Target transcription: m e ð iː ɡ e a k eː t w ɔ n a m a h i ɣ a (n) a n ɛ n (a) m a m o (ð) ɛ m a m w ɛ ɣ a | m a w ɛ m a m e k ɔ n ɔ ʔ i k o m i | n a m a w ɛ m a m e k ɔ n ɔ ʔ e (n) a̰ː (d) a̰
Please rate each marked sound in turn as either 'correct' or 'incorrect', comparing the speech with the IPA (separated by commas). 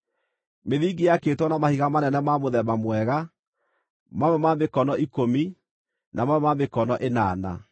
incorrect, incorrect, correct, correct, incorrect